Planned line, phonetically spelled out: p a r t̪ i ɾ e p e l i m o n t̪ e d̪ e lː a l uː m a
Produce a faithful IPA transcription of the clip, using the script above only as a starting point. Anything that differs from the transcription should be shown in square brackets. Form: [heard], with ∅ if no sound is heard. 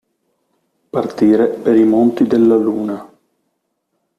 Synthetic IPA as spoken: p a r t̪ [iː] ɾ e p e [ɾ] i m o n t̪ [i] d̪ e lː a l uː [n] a